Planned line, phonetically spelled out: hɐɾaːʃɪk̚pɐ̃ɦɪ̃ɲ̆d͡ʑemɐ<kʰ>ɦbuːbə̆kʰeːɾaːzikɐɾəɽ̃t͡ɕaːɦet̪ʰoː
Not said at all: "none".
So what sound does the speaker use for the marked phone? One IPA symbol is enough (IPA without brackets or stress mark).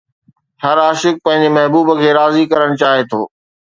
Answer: none